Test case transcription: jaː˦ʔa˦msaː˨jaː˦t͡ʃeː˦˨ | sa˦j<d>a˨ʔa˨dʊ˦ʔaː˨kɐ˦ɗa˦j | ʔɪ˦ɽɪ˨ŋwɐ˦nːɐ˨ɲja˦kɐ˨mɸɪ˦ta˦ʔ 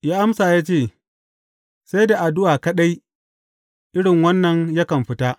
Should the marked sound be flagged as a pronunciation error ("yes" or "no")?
no